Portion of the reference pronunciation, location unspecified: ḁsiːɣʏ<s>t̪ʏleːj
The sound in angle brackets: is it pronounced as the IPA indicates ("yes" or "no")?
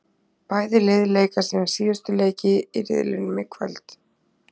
yes